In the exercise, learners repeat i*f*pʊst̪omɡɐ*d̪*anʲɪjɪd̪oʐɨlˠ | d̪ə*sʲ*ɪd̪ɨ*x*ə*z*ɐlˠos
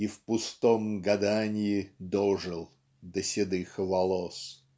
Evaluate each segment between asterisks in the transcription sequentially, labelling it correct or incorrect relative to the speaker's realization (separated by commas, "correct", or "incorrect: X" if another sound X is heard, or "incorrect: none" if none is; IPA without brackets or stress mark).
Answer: correct, correct, correct, correct, incorrect: v